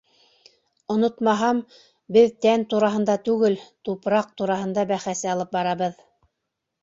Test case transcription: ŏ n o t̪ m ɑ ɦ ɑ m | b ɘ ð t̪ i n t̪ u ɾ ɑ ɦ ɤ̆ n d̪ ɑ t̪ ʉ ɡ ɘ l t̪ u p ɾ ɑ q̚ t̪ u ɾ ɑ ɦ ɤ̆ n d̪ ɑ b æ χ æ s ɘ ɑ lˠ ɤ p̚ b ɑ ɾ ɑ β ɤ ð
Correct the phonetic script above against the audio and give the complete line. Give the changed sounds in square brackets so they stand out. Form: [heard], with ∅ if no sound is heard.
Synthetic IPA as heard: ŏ n o t̪ m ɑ ɦ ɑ m | b ɘ ð t̪ [æ] n t̪ u ɾ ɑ ɦ ɤ̆ n d̪ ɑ t̪ ʉ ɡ ɘ l t̪ u p ɾ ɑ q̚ t̪ u ɾ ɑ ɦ ɤ̆ n d̪ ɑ b æ χ æ s ɘ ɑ lˠ ɤ p̚ b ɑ ɾ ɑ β ɤ ð